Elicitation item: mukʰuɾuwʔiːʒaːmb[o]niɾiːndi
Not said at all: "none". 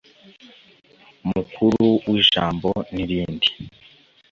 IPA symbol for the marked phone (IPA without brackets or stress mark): o